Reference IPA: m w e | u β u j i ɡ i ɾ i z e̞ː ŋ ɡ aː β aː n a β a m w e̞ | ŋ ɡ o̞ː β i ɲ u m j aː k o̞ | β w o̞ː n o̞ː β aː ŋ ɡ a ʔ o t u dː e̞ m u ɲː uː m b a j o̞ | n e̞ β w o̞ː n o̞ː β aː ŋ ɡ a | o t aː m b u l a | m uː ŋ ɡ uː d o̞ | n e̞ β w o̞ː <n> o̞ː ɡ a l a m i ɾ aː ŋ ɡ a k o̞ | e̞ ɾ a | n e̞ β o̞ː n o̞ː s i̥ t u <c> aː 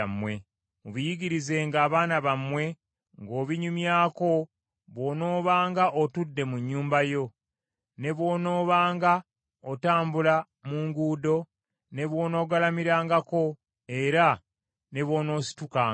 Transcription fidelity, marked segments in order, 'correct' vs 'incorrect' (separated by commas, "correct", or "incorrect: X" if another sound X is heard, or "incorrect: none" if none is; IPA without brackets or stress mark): correct, incorrect: k